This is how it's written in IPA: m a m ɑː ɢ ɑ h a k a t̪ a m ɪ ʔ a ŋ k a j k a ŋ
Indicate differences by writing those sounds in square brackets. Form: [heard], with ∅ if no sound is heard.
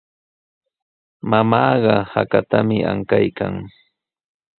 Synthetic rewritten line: m a m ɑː ɢ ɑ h a k a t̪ a m ɪ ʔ a ŋ k a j k a ŋ